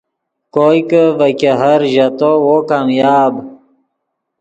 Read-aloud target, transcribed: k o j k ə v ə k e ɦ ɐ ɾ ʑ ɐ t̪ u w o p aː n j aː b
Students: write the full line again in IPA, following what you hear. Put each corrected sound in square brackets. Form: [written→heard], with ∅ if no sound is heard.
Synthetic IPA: k o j k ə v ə k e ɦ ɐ ɾ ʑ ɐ t̪ [u→o] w o [p→k] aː [n→m] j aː b